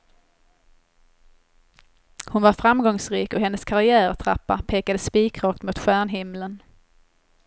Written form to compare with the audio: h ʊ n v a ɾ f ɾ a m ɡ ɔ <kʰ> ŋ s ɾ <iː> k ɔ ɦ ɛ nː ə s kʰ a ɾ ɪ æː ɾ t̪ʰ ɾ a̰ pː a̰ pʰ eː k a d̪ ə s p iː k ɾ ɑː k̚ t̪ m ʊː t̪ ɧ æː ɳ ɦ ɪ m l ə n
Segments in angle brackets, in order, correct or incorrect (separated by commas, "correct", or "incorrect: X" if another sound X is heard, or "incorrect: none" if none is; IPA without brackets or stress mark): incorrect: none, correct